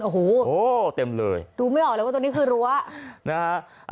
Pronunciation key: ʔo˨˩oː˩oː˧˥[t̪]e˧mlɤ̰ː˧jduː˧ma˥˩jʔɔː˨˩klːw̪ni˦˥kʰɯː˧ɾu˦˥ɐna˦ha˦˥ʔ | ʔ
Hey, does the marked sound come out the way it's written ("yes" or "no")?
yes